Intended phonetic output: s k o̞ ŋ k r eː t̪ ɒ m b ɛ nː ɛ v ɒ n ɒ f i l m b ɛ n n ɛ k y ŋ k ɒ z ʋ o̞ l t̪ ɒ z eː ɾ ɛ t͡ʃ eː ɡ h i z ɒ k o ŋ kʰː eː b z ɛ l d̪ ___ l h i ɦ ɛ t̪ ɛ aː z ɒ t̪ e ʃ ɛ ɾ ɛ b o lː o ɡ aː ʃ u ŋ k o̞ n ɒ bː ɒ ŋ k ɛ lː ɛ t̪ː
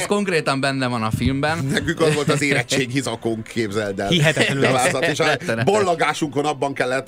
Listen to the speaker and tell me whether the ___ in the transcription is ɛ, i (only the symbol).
ɛ